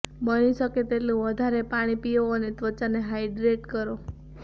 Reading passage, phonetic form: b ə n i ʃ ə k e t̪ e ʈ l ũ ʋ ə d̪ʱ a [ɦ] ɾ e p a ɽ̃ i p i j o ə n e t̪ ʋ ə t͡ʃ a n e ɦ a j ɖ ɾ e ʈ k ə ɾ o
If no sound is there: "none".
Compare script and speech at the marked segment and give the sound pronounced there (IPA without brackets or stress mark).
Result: none